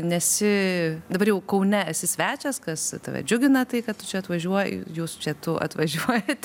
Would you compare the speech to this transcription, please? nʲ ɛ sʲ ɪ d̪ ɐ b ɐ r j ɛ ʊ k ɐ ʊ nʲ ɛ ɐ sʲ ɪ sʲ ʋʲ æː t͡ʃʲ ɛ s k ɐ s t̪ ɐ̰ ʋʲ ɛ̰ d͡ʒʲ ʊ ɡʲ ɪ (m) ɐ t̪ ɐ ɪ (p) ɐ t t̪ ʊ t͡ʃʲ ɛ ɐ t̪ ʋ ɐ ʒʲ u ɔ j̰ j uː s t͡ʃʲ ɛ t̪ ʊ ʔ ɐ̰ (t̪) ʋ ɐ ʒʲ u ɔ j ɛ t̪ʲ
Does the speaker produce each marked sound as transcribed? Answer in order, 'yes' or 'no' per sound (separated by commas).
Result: no, no, yes